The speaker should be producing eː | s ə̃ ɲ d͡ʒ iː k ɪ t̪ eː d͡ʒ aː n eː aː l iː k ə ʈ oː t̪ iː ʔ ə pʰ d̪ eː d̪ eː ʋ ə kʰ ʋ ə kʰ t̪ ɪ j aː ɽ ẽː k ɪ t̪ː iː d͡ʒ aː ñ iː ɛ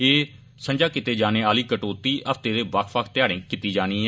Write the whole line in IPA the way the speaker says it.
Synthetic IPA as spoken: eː | s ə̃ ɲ d͡ʒ aː k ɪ t̪ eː d͡ʒ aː n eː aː l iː k ə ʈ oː t̪ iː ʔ ə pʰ t̪ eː d̪ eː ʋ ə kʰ ʋ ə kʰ t̪ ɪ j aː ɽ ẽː k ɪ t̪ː iː d͡ʒ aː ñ iː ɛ

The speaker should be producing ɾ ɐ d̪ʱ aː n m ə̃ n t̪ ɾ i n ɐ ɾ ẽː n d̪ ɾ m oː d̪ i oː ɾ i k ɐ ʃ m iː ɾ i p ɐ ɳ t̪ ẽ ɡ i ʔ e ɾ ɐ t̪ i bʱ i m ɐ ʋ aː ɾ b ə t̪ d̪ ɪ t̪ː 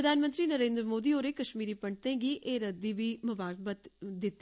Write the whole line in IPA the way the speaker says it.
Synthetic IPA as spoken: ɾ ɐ d̪ʱ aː n m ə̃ n t̪ ɾ i n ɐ ɾ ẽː n d̪ ɾ m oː d̪ i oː ɾ e k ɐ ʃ m iː ɾ i p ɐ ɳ t̪ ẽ ɡ i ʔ e ɾ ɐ d̪ i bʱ i m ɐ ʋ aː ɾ b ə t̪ d̪ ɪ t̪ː

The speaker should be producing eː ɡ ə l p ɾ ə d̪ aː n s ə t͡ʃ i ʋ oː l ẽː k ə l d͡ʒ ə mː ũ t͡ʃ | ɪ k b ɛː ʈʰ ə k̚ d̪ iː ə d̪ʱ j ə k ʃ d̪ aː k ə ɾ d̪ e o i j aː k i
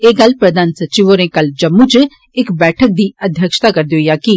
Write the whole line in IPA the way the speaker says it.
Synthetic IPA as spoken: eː ɡ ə l p ɾ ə d̪ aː n s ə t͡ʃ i ʋ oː ɾ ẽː k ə l d͡ʒ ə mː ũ t͡ʃ | ɪ k b ɛː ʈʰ ə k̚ d̪ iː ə d̪ʱ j ə k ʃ t̪ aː k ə ɾ d̪ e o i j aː k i

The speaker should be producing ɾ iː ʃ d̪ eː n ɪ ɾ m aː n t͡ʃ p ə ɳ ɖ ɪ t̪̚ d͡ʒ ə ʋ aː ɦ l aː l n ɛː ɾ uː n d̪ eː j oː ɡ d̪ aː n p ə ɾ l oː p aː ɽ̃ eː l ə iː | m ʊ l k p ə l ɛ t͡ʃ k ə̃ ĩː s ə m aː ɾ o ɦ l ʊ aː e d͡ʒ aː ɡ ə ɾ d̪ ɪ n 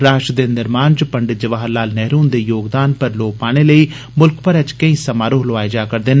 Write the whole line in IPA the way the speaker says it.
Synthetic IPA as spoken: ɾ aː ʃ d̪ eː n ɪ ɾ m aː n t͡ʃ p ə ɳ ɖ ɪ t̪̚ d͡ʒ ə ʋ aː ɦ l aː l n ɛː ɾ uː n d̪ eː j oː ɡ d̪ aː n p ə ɾ l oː p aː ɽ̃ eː l ə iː | m ʊ l k p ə ɾ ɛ t͡ʃ k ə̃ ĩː s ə m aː ɾ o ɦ l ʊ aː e d͡ʒ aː k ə ɾ d̪ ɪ n

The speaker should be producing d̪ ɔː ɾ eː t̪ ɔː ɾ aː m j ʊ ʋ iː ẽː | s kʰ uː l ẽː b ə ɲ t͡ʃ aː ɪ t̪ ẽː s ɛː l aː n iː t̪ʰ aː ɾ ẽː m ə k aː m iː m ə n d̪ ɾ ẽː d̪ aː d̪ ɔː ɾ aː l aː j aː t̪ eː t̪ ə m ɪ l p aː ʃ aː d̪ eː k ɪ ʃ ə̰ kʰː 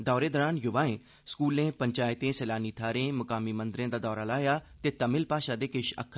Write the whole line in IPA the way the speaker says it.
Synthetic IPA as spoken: d̪ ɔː ɾ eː d̪ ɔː ɾ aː n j ʊ ʋ aː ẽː | s k uː l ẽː p ə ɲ t͡ʃ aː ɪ t̪ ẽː s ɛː l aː n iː t̪ʰ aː ɾ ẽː m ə k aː m iː m ə n d̪ ɾ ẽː d̪ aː d̪ ɔː ɾ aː l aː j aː t̪ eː t̪ ə m ɪ l p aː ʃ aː d̪ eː k ɪ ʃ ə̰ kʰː

